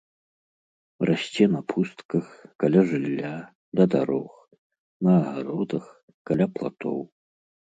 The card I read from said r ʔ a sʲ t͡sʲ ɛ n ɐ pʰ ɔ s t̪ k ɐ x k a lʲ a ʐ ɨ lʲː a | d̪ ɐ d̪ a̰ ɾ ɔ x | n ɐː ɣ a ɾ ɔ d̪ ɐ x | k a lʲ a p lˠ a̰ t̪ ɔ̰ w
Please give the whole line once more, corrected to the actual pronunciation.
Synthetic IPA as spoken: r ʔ a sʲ t͡sʲ ɛ n ɐ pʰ u s t̪ k ɐ x k a lʲ a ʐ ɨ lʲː a | d̪ ɐ d̪ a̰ ɾ ɔ x | n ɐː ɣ a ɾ ɔ d̪ ɐ x | k a lʲ a p lˠ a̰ t̪ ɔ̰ w